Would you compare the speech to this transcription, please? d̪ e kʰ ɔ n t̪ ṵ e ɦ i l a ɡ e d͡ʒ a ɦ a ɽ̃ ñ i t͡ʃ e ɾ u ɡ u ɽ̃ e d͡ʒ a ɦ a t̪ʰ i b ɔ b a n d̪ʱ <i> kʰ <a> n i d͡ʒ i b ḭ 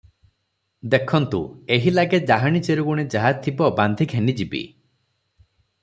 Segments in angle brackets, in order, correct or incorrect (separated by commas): correct, incorrect